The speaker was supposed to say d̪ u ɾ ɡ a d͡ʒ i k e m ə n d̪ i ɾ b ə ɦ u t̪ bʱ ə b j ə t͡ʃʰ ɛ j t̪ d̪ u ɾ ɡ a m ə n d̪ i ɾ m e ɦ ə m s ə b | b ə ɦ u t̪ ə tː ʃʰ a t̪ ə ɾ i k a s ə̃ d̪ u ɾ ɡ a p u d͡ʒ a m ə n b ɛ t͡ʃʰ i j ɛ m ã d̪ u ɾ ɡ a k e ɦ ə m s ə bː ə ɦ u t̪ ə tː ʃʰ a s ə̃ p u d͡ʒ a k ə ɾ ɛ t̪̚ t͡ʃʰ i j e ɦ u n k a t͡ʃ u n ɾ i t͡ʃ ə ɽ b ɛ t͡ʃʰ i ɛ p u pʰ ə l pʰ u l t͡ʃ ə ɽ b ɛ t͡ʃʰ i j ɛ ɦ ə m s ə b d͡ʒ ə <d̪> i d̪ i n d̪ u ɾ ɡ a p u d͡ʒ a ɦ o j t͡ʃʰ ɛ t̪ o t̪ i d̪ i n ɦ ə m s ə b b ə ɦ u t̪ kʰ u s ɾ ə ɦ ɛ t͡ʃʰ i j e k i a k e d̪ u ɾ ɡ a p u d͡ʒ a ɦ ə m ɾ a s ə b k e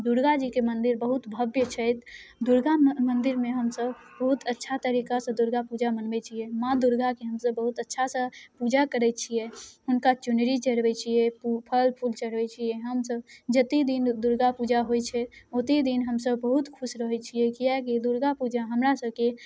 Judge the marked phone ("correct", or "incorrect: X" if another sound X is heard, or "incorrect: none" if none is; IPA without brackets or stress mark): incorrect: t̪